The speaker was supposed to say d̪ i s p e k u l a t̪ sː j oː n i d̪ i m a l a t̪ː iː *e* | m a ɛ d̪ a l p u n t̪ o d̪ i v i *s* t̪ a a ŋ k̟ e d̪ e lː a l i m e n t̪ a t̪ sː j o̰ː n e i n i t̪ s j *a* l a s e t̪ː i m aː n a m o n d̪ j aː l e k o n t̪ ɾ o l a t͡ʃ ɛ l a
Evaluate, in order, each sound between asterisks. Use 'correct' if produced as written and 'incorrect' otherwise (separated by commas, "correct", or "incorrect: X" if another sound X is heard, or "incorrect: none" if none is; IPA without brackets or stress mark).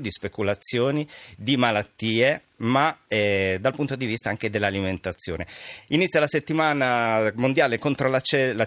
correct, correct, correct